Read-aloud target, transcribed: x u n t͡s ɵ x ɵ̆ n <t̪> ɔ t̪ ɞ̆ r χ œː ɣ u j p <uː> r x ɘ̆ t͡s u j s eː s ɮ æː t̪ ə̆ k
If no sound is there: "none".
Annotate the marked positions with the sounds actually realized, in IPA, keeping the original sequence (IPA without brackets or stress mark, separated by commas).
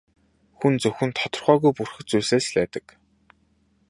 t̪ʰ, u